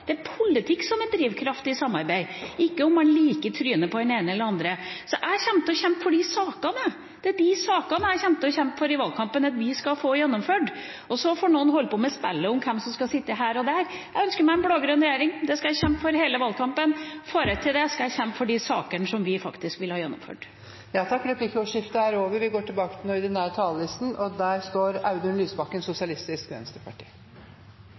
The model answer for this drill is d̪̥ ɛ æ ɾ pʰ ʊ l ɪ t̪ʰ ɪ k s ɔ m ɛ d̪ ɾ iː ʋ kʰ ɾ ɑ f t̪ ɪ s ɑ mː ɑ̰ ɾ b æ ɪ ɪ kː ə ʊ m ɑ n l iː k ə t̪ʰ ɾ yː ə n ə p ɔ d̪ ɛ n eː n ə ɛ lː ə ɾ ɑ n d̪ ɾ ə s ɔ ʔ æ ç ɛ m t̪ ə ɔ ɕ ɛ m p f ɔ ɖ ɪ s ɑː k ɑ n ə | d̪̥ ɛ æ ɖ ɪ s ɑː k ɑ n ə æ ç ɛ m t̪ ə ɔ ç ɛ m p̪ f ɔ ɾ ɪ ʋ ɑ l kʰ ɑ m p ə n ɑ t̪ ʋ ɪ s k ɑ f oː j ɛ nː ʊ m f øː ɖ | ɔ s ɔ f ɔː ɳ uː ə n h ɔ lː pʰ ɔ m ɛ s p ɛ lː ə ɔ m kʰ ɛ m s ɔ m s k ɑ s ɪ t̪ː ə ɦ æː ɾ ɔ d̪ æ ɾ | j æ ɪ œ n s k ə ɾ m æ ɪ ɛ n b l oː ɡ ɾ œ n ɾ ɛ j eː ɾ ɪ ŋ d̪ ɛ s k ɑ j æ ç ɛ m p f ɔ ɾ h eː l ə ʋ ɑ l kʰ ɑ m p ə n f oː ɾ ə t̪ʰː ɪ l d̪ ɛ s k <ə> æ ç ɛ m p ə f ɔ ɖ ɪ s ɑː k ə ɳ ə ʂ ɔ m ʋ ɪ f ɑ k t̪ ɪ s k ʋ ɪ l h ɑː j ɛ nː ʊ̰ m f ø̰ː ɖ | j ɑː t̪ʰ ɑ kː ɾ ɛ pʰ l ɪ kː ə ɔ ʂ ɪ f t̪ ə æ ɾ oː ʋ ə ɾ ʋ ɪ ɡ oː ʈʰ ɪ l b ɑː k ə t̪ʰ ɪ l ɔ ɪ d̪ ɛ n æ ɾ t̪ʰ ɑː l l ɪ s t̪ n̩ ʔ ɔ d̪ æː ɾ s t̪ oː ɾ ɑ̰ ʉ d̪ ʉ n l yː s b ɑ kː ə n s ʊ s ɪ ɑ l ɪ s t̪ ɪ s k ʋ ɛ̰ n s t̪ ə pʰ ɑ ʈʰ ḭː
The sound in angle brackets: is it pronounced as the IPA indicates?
no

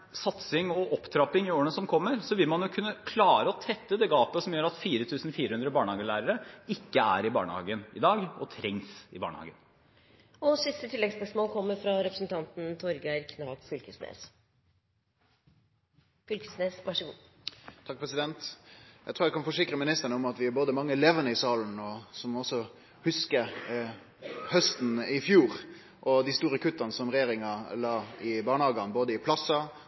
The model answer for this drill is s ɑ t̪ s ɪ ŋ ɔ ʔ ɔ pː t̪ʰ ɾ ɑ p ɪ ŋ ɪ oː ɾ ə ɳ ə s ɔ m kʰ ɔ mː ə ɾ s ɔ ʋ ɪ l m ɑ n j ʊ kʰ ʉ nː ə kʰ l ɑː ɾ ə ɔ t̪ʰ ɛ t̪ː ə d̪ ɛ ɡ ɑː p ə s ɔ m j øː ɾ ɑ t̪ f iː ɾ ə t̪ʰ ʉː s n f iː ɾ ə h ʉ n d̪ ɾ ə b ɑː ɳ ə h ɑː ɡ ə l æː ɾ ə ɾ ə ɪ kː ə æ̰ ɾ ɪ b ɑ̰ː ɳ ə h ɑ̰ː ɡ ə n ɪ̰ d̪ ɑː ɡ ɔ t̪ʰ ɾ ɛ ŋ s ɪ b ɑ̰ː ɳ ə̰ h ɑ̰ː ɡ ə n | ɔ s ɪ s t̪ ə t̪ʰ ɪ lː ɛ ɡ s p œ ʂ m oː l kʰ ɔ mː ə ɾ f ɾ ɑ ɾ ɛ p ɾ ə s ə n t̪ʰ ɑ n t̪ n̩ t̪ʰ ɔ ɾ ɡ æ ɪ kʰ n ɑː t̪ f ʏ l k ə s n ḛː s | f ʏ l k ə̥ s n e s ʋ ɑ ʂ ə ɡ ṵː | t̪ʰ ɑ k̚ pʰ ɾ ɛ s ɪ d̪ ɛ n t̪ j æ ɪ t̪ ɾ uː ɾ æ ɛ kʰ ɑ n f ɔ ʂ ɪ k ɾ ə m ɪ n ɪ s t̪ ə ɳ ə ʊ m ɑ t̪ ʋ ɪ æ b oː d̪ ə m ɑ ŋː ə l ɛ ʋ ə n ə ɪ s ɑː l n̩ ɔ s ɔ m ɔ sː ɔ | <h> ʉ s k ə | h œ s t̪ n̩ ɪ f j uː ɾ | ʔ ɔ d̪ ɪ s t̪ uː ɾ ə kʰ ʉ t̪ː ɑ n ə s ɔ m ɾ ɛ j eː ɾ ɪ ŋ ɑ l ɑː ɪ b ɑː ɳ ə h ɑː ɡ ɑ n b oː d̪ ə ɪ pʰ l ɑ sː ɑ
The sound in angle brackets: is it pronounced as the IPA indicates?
yes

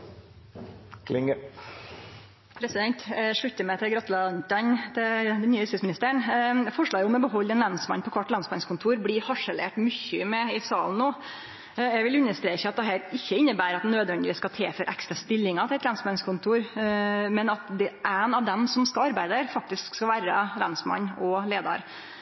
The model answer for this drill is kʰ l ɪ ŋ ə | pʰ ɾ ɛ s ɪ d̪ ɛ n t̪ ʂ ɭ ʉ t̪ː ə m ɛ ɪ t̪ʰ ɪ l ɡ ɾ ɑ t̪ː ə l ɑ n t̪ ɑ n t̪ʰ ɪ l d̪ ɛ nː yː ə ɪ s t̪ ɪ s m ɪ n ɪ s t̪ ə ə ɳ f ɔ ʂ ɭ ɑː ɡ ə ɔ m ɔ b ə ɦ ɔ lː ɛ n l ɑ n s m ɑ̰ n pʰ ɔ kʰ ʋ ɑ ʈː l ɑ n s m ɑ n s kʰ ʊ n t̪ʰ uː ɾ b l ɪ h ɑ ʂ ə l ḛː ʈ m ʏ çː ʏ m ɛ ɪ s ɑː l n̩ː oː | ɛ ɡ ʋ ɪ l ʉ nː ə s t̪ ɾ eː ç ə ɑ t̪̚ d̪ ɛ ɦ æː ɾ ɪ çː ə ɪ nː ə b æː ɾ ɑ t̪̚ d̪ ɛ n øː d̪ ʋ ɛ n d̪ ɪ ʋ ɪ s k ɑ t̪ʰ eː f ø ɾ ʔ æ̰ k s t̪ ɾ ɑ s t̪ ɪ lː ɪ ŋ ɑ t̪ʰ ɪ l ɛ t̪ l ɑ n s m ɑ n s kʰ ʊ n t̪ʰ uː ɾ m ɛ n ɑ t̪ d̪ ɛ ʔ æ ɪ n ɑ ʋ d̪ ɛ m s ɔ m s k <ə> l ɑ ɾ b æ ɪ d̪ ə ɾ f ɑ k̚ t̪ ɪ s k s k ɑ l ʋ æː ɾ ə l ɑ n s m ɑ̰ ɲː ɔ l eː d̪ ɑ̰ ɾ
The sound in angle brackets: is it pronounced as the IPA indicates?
no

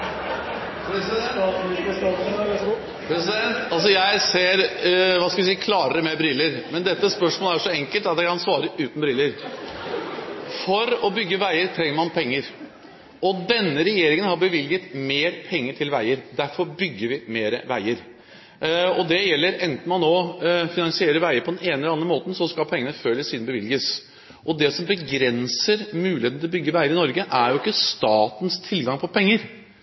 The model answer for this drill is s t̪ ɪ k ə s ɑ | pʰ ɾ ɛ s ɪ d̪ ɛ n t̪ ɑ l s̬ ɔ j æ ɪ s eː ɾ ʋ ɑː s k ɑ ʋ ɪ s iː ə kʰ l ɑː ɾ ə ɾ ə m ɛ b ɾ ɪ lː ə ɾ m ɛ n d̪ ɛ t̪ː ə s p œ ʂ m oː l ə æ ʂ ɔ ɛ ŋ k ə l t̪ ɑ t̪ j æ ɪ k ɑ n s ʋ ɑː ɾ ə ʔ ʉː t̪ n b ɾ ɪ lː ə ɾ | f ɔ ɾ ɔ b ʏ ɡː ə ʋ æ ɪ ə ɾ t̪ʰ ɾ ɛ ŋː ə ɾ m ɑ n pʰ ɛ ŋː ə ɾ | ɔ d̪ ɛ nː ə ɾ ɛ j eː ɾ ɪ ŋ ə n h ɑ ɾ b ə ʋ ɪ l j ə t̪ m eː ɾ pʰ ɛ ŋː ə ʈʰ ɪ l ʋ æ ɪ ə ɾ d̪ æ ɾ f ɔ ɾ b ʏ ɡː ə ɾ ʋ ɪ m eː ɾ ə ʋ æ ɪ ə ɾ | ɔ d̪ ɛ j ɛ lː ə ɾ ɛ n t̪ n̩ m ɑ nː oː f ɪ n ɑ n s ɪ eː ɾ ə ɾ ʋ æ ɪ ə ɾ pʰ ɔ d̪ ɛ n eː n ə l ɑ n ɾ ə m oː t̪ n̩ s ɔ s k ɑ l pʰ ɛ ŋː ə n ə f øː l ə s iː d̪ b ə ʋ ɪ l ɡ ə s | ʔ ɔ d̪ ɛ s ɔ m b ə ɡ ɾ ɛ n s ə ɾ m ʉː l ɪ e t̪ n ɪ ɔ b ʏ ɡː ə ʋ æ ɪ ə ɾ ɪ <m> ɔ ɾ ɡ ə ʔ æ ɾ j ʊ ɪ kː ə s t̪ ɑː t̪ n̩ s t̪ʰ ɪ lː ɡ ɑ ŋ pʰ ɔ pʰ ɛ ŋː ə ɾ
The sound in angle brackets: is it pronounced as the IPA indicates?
no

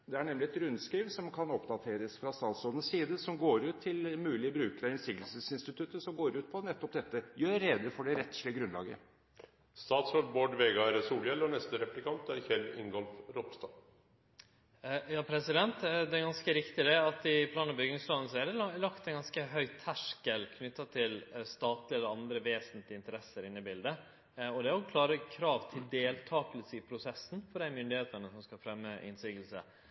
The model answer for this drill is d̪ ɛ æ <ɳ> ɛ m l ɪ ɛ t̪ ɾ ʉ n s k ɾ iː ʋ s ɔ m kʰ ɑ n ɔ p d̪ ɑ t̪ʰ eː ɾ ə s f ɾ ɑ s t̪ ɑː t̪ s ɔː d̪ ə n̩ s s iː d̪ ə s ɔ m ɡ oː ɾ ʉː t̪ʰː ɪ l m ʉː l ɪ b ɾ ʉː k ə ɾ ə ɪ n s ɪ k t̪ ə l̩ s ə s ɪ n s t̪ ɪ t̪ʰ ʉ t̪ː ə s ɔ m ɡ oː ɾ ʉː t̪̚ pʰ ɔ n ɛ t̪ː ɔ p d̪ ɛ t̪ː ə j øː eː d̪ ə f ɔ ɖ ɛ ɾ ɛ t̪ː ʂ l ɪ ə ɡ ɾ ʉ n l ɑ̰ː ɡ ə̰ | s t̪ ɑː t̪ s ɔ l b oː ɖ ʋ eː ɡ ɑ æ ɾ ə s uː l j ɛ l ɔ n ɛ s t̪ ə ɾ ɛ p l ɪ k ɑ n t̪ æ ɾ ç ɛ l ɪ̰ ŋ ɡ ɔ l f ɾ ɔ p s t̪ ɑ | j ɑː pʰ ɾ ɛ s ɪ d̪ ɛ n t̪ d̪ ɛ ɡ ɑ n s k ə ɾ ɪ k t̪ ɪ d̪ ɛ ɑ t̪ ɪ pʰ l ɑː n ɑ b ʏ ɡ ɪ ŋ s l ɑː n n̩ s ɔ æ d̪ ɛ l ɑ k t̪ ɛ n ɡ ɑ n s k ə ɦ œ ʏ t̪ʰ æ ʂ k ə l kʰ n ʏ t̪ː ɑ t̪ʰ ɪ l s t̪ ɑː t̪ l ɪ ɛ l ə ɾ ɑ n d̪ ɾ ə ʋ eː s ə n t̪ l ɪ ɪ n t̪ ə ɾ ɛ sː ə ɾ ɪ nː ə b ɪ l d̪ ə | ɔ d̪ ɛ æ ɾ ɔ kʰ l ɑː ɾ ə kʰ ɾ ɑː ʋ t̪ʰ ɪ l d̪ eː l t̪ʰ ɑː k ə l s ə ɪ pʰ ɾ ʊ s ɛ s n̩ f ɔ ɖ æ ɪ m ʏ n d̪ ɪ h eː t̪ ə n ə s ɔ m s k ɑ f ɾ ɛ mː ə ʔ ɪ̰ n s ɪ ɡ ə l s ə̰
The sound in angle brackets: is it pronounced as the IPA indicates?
yes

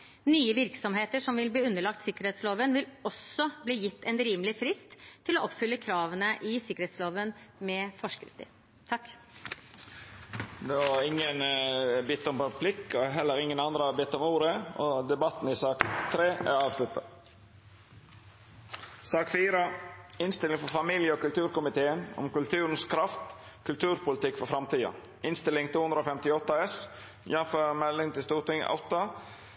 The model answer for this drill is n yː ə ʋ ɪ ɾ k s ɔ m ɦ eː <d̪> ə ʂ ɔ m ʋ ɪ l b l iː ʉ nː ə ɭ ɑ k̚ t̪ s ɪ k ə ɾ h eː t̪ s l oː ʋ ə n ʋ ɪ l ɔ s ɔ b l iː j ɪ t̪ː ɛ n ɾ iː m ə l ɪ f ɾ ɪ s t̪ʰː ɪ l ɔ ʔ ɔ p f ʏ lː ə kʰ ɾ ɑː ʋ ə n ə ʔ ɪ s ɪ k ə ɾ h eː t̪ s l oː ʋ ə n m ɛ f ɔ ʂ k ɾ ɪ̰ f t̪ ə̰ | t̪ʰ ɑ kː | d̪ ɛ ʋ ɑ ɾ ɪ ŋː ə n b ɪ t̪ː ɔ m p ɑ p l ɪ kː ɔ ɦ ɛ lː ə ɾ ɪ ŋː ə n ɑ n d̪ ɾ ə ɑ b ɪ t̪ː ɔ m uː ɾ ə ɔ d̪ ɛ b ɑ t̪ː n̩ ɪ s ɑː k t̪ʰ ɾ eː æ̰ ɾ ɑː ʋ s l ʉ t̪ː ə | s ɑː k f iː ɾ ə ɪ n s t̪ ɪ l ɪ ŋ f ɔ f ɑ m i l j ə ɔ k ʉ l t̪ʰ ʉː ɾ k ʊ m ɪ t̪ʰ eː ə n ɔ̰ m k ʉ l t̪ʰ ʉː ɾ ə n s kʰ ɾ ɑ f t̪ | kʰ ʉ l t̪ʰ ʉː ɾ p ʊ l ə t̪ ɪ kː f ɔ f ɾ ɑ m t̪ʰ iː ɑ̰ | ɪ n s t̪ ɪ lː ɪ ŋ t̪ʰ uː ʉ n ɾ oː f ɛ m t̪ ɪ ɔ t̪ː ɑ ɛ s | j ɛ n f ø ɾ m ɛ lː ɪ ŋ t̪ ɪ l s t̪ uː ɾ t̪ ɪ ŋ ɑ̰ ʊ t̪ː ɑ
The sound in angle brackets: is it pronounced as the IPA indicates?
no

